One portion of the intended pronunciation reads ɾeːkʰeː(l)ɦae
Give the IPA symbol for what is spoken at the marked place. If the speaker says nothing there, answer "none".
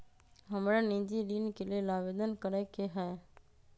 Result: none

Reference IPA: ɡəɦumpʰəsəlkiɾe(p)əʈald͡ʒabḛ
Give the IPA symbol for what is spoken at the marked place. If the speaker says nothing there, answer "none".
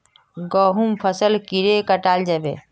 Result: k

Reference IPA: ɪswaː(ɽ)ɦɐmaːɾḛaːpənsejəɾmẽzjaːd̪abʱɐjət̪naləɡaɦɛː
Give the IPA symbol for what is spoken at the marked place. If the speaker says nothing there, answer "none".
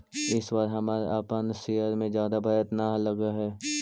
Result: ɾ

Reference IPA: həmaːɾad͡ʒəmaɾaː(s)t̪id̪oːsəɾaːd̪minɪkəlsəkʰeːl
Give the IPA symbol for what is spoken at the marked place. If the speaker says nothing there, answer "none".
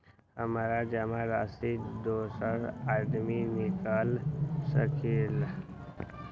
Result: s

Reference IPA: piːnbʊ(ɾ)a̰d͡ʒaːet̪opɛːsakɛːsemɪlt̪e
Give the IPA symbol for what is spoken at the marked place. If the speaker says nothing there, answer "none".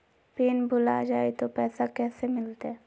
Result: l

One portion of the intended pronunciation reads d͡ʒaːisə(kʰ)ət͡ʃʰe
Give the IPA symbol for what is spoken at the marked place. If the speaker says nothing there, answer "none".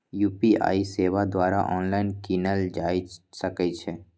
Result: k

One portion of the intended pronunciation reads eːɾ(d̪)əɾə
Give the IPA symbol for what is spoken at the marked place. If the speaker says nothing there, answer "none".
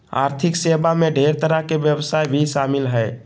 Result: t̪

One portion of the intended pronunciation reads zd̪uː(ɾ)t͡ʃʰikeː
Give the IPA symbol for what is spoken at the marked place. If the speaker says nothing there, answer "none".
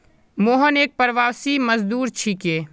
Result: ɾ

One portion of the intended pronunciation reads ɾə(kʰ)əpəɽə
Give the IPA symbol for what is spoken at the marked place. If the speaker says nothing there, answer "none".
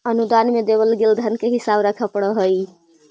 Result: kʰ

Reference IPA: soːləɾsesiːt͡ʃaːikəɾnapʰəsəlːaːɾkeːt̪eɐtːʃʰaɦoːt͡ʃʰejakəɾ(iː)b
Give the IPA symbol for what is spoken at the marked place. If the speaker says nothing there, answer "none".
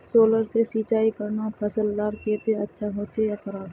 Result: aː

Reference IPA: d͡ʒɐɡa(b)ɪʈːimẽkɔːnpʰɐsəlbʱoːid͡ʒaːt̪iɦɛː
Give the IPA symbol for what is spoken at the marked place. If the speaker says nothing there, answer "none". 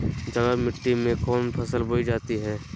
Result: m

